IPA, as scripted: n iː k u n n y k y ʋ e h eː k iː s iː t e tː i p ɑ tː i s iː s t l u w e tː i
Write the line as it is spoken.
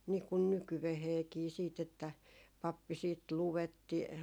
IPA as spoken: n iː k u n n y k y ʋ e h eː k iː s iː t e tː æ p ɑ pː i s iː t l u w e tː i